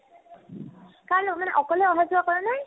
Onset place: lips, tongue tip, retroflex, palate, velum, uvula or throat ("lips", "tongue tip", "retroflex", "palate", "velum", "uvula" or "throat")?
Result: velum